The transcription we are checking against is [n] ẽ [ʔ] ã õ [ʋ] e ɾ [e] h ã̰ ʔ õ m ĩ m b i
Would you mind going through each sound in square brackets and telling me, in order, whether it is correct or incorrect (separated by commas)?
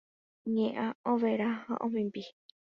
incorrect, correct, correct, incorrect